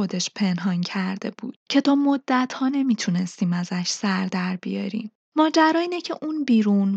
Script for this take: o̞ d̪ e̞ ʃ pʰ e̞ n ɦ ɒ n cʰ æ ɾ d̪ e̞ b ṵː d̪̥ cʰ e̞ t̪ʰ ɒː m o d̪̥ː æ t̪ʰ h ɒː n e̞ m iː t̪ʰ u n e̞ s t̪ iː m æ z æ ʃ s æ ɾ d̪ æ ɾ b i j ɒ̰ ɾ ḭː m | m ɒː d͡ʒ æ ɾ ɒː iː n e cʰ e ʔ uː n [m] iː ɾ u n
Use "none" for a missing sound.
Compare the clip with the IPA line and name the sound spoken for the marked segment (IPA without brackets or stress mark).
b